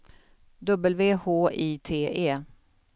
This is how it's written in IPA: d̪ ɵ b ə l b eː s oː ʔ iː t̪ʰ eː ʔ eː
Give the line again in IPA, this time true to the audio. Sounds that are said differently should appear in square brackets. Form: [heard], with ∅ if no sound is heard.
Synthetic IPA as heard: d̪ ɵ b ə l [v] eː [h] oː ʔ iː t̪ʰ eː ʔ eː